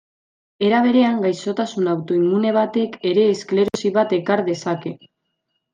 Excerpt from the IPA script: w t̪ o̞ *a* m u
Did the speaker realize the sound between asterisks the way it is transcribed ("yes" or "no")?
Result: no